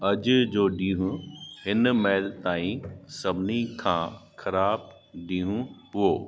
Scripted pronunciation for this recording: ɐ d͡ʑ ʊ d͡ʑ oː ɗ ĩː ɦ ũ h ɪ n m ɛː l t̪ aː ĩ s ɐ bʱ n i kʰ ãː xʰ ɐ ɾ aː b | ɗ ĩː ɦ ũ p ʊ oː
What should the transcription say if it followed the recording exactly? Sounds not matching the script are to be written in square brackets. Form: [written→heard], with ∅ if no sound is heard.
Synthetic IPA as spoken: ɐ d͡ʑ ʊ d͡ʑ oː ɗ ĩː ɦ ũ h ɪ n m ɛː l t̪ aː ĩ s ɐ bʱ n i kʰ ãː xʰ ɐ ɾ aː b | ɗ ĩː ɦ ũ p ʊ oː